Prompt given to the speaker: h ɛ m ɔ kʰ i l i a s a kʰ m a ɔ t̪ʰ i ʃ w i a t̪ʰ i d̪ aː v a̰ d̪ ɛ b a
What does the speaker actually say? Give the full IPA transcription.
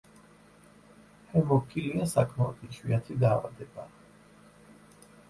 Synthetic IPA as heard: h ɛ m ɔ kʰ i l i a s a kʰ m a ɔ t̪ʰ i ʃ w i a t̪ʰ i d̪ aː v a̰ d̪ ɛ b a